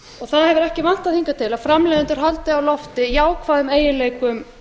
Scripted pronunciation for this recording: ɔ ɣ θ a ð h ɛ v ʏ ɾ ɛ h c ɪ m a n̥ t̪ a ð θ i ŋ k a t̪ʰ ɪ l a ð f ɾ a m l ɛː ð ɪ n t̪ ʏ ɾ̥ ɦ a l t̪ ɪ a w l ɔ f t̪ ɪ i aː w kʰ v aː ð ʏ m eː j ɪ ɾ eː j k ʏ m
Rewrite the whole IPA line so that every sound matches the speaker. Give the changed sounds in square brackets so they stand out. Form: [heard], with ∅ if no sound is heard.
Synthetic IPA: ɔ ɣ θ a ð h ɛ v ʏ ɾ ɛ h c ɪ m a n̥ t̪ a ð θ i ŋ k a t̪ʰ ɪ l a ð f ɾ a m l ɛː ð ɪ n t̪ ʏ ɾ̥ ɦ a l t̪ ɪ a w l ɔ f t̪ ɪ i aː w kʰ v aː ð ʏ m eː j ɪ [l] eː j k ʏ m